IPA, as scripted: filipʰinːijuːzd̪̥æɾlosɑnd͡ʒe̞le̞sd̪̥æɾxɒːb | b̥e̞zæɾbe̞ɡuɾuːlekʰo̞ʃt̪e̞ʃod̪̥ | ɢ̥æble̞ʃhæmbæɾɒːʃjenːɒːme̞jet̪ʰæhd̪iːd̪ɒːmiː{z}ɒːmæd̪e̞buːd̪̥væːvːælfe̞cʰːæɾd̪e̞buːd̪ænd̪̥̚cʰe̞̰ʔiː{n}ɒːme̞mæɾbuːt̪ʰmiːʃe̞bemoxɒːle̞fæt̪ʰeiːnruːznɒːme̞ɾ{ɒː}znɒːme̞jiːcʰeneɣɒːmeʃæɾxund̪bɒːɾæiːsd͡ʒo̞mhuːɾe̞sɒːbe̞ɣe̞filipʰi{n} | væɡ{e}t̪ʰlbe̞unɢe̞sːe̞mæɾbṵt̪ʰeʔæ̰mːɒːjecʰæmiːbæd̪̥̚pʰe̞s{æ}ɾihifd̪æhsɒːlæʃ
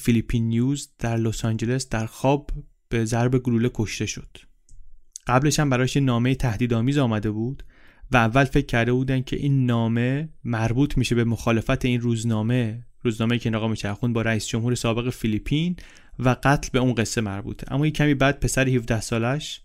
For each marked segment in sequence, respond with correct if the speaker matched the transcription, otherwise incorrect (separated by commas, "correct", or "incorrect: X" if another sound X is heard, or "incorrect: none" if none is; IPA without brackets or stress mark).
correct, incorrect: nː, incorrect: uː, correct, incorrect: æ, correct